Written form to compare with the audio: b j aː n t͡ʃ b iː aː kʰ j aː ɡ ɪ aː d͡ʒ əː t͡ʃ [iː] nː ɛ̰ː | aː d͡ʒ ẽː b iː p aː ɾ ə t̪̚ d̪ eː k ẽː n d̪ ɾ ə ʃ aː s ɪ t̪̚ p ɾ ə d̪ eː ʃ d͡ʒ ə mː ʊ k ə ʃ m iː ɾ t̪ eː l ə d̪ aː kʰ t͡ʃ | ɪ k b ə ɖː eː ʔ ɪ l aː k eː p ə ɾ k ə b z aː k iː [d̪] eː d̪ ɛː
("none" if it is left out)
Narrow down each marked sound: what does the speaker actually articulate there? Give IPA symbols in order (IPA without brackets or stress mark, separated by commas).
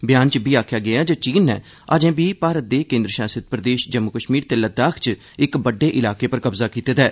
iː, t̪